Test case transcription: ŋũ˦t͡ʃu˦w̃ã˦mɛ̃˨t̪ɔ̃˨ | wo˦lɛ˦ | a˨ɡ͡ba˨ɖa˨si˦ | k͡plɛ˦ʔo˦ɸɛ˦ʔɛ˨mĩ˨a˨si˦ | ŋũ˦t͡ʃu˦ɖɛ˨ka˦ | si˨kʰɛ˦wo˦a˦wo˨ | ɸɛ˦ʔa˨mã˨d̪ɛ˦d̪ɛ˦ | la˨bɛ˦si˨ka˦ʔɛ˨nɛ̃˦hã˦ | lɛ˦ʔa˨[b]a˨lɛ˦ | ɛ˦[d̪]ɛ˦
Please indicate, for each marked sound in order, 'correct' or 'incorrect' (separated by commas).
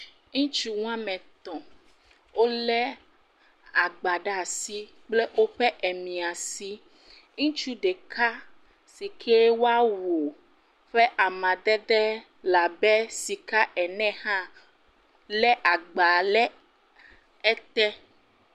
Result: incorrect, incorrect